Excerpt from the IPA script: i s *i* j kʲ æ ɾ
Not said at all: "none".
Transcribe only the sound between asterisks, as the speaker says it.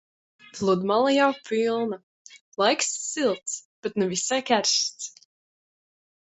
a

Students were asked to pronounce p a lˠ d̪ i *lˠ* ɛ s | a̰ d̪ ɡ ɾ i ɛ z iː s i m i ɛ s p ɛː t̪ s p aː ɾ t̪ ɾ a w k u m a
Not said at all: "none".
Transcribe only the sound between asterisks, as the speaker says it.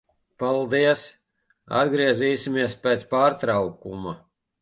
none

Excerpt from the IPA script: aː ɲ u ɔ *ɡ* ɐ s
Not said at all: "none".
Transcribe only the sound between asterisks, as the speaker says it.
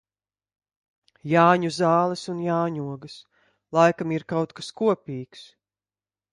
ɡ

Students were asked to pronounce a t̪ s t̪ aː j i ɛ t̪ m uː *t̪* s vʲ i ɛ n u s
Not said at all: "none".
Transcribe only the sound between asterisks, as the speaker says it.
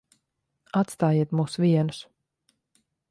none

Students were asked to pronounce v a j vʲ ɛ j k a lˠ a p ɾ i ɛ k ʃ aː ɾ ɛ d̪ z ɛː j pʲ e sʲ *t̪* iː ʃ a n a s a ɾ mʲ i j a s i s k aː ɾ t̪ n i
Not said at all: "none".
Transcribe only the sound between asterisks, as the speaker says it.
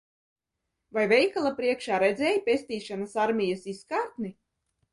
t̪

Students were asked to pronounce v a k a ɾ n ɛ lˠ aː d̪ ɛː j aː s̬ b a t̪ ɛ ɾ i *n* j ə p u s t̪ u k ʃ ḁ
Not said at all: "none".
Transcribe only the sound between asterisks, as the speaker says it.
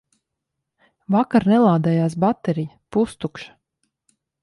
none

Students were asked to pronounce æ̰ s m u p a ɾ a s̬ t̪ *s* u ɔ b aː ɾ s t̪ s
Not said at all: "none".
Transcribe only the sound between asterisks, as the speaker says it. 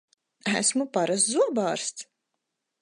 z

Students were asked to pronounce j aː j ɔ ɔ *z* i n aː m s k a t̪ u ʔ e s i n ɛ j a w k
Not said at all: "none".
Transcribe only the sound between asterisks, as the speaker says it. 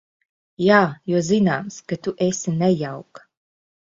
z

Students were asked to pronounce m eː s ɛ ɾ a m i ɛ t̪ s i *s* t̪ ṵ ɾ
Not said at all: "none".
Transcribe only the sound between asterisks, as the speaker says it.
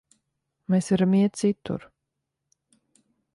none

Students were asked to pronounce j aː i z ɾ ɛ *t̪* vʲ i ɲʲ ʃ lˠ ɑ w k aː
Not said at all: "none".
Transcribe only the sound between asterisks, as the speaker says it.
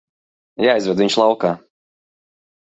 d̪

